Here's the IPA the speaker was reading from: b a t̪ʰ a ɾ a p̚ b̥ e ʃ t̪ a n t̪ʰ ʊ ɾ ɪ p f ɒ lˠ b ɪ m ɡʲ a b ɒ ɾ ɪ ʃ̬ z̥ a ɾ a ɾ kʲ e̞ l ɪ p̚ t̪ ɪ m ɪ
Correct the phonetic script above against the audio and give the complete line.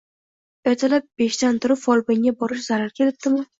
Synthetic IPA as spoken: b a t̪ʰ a l a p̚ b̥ e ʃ t̪ a n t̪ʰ ʊ ɾ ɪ p f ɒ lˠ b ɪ ŋ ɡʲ a b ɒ ɾ ɪ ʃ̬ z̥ a ɾ a ɾ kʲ e̞ l ɪ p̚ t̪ ɪ m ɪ